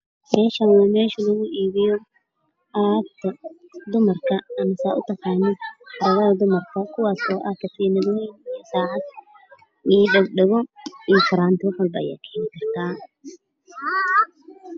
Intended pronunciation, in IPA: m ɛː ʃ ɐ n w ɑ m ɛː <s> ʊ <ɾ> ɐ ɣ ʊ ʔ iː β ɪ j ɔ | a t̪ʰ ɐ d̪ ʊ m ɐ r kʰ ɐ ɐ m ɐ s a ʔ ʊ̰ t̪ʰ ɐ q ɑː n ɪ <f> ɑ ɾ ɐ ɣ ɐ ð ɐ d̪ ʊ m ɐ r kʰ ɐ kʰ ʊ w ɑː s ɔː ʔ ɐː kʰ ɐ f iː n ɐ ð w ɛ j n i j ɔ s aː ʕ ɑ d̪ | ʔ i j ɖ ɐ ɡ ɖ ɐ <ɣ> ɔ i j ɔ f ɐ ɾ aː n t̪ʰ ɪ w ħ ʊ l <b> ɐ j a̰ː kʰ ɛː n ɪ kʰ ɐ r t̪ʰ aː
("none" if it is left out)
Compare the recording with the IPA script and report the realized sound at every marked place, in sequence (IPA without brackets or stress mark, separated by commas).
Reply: ʃ, l, ħ, ɣ, b